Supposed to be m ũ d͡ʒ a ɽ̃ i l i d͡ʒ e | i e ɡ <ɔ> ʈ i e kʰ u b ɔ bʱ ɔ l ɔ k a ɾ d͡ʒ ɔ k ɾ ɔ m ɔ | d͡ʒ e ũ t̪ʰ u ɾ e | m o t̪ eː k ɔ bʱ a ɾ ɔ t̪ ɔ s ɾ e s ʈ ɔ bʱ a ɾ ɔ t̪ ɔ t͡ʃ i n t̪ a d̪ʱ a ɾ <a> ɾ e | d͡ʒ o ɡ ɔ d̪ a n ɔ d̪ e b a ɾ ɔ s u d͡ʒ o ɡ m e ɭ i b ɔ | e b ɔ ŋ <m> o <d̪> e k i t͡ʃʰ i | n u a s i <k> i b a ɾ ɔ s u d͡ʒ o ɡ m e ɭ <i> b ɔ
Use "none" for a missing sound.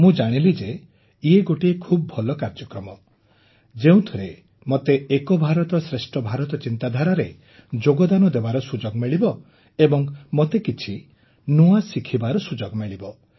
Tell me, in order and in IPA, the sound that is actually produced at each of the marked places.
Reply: o, a, m, t̪, kʰ, i

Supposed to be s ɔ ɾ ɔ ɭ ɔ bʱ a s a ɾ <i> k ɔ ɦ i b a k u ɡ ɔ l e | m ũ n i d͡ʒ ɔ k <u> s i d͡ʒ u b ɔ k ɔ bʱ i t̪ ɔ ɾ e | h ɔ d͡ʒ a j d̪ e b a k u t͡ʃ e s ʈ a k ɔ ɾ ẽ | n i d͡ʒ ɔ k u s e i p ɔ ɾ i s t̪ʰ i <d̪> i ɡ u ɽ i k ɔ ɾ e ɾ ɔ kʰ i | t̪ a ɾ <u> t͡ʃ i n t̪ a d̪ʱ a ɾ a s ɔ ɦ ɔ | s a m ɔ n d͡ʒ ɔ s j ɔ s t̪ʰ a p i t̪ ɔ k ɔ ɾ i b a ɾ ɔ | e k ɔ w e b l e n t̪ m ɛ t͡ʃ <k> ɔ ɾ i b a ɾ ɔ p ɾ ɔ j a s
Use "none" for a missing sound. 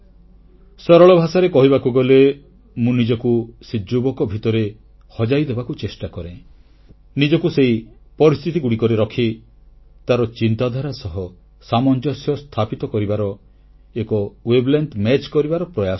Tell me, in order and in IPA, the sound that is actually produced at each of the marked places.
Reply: e, u, t̪, ɔ, k

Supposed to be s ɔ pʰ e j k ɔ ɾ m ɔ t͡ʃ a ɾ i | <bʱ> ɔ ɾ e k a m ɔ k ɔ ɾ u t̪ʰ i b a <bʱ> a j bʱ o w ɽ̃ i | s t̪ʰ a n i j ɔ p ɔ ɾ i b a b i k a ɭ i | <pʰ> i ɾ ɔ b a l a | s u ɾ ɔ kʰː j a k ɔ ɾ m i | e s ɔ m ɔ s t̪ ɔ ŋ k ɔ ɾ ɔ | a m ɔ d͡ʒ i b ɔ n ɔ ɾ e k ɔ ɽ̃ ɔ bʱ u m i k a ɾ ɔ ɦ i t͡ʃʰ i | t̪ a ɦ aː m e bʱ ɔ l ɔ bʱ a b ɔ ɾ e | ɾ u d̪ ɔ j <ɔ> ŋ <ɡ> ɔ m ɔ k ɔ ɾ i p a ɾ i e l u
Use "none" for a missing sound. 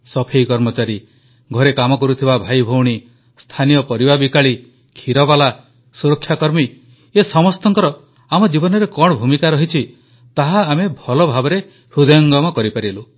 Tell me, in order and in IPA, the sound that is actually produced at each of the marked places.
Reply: ɡʱ, bʱ, kʰ, ɔ, ɡ

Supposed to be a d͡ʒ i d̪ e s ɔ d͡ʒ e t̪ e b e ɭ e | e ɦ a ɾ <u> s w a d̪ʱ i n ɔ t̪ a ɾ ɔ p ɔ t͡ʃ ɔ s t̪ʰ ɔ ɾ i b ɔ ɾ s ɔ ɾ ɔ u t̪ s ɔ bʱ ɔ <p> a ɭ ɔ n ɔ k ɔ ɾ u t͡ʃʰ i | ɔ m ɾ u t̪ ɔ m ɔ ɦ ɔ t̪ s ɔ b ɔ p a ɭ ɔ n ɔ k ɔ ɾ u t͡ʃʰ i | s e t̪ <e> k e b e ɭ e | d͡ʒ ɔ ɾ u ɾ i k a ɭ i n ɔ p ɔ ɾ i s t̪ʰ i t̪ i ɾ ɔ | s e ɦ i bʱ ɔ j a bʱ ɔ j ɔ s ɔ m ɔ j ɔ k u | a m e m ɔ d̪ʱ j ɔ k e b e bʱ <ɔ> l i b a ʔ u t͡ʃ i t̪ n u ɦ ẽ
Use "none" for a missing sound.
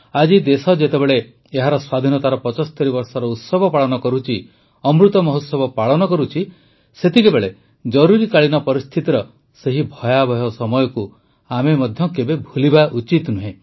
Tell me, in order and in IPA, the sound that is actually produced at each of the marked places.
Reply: ɔ, p, i, u

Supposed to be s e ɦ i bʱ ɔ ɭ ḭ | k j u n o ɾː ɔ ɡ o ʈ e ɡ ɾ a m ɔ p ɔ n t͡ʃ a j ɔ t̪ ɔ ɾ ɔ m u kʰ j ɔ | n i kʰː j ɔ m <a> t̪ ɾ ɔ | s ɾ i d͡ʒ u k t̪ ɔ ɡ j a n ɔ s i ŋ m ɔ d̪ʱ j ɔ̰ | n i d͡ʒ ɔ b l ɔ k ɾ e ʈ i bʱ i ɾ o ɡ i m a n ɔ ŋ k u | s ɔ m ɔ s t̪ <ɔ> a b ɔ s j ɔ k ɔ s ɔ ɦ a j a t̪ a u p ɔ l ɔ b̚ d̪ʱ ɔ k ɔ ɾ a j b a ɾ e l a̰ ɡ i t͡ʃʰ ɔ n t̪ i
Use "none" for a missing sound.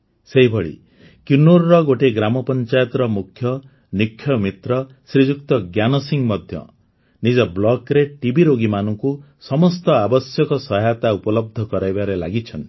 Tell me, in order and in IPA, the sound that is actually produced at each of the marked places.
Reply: i, ɔ

